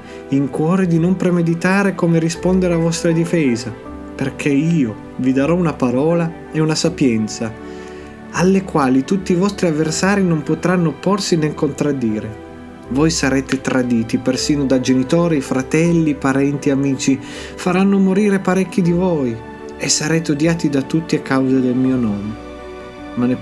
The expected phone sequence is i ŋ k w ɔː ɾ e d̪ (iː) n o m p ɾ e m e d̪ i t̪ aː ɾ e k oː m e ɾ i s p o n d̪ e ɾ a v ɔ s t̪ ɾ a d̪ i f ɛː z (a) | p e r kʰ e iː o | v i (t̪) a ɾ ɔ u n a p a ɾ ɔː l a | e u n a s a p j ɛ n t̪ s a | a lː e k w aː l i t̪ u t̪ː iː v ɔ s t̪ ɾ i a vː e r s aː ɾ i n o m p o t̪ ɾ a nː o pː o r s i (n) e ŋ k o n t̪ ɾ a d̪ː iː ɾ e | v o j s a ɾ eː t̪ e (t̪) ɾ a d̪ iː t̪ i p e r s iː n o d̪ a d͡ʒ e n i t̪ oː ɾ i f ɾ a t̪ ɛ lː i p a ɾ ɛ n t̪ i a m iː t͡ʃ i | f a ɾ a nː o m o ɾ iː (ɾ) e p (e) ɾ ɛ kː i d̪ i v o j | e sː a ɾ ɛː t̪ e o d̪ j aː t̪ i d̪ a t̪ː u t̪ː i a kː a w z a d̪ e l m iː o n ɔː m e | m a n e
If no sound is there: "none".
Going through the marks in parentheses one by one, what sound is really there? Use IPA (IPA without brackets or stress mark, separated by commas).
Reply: i, a, d̪, n, t̪, ɾ, a